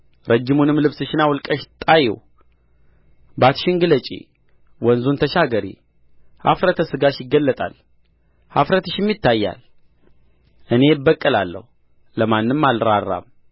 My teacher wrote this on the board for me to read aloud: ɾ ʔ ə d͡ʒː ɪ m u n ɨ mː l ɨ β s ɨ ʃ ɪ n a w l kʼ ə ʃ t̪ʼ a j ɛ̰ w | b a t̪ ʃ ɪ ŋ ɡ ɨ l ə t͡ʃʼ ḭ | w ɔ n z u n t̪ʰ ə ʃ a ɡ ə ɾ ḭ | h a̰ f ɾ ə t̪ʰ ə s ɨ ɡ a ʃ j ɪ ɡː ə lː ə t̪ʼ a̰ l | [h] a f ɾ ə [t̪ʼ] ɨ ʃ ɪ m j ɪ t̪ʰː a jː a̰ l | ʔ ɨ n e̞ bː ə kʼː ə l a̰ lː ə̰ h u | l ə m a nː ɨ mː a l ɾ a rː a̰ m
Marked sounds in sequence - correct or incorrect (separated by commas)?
correct, incorrect